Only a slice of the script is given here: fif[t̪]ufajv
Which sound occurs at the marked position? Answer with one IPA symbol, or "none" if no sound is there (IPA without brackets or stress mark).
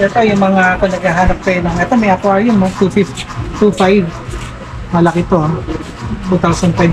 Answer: t̪